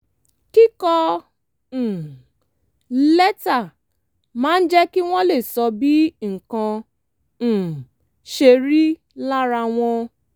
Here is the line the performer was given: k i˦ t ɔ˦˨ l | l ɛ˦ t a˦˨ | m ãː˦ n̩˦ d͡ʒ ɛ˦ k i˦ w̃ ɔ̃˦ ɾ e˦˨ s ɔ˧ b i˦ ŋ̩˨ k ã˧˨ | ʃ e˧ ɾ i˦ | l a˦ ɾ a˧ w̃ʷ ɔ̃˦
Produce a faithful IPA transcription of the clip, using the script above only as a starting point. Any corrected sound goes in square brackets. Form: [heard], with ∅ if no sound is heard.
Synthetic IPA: k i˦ [k] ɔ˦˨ [∅] | l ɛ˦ t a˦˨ | m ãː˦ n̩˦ d͡ʒ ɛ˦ k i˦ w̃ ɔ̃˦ [l] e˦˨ s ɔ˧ b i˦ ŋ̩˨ k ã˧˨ | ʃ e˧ ɾ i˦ | l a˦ ɾ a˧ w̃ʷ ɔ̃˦